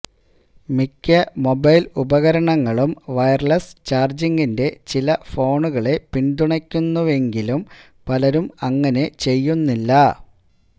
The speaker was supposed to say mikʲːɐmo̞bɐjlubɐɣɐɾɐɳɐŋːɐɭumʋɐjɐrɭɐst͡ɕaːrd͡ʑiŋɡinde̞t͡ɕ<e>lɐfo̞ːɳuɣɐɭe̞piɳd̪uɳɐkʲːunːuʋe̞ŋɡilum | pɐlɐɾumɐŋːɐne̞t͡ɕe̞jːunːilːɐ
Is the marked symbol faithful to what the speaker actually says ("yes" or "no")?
no